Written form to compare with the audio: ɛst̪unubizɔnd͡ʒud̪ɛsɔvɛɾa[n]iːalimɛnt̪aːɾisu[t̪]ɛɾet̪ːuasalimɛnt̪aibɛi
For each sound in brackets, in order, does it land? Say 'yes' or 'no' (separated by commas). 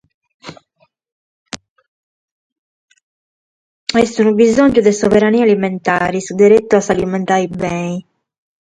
yes, no